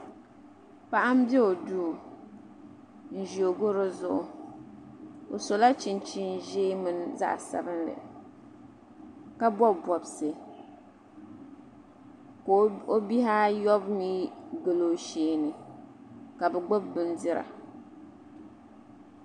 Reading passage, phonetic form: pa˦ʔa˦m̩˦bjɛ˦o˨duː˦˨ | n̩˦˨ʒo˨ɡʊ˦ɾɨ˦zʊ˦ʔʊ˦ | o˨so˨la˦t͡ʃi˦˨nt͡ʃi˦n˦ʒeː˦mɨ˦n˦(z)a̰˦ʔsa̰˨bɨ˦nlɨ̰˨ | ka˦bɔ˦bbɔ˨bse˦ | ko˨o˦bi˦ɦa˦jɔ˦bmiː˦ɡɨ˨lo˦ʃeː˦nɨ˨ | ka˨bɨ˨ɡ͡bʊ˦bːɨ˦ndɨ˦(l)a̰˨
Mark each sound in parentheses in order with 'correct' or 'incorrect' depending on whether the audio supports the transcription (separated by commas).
correct, incorrect